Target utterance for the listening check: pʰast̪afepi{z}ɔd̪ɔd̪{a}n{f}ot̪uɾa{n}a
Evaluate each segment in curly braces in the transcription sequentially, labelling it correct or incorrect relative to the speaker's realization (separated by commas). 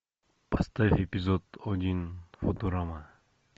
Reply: correct, incorrect, correct, incorrect